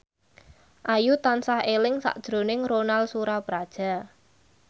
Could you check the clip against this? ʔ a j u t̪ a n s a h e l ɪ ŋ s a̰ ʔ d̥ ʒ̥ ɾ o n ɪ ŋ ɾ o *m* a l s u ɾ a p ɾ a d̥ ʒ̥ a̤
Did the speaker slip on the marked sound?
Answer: yes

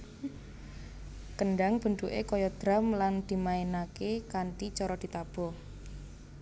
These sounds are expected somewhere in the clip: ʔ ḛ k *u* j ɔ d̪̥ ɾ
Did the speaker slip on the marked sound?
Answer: yes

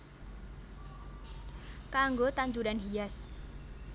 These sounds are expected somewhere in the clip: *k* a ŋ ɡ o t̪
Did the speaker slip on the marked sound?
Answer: no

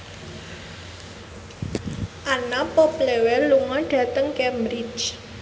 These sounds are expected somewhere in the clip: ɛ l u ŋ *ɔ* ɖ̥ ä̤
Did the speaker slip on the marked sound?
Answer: no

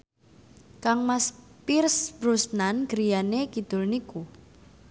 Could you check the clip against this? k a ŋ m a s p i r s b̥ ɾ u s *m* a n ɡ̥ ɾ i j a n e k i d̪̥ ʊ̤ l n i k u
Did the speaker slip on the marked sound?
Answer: yes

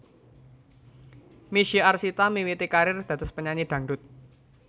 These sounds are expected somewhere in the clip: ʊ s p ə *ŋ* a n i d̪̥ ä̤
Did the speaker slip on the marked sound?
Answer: yes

